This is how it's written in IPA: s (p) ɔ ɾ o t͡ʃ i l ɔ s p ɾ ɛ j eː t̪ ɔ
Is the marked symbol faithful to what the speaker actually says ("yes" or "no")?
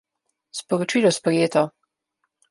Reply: yes